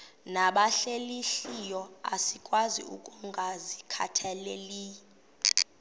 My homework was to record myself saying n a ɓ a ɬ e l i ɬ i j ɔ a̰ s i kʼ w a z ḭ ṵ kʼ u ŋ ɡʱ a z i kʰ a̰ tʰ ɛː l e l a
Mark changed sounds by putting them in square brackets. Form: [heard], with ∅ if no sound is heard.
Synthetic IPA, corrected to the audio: n a ɓ a ɬ e l i ɬ i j ɔ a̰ s i kʼ w a z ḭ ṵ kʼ u ŋ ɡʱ a z i kʰ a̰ tʰ [ɛ] l e l [i]